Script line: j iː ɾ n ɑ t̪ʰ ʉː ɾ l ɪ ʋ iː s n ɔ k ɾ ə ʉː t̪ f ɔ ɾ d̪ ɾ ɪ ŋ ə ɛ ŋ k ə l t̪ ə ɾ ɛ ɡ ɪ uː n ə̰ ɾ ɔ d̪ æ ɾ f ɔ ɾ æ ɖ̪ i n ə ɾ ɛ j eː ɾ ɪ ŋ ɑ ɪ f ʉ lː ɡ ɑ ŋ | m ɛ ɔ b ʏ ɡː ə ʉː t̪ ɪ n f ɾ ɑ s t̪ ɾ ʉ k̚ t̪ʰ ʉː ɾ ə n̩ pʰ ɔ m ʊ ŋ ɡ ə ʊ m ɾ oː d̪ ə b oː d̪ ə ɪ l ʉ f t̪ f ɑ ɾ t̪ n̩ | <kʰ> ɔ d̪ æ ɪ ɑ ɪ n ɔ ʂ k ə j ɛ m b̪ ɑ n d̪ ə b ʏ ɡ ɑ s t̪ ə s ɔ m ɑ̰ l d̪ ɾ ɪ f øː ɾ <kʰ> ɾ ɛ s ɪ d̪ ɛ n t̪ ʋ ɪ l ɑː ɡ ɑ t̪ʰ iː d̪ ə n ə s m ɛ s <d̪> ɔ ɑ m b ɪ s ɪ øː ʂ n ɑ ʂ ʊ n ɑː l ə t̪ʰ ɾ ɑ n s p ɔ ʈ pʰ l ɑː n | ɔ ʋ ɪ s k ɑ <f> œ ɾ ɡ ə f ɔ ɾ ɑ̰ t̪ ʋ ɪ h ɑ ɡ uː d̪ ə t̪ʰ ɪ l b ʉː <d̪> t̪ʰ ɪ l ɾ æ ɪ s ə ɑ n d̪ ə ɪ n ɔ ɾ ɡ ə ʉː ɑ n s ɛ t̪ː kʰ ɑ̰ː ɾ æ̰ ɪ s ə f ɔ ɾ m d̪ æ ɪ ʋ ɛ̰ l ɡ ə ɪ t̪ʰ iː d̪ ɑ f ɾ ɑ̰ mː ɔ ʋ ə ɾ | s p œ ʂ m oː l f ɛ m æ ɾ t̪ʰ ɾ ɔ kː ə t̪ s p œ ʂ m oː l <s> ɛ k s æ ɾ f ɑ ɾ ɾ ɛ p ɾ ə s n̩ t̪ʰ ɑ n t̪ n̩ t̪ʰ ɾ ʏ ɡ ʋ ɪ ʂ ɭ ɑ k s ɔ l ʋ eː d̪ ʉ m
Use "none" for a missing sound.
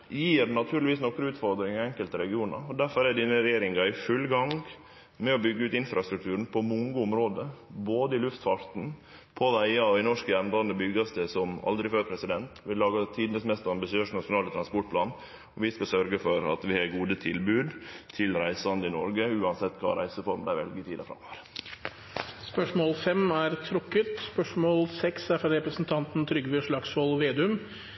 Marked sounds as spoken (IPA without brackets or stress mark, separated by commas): pʰ, pʰ, t̪, s, d̪, s